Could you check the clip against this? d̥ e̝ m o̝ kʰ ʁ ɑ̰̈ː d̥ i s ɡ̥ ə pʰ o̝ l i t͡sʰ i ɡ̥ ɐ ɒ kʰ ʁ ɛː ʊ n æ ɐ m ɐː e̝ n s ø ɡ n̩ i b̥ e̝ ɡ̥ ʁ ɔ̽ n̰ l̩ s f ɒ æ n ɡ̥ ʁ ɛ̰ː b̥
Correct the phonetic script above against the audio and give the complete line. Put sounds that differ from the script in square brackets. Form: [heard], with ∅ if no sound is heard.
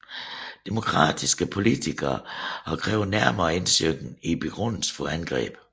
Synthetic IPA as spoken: d̥ e̝ m o̝ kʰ ʁ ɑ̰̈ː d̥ i s ɡ̥ ə pʰ o̝ l i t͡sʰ i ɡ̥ ɐ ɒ kʰ ʁ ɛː ʊ n æ ɐ m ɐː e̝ n s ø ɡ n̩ i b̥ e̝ ɡ̥ ʁ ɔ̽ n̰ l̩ s f ɒ æ n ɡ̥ ʁ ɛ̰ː b̥